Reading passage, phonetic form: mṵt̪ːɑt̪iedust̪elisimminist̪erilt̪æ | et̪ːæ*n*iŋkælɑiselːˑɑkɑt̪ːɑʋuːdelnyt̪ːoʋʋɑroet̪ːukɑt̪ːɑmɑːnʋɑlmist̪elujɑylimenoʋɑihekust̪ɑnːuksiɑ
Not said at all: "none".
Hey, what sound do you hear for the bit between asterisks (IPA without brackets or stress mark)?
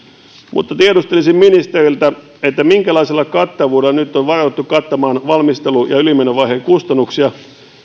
m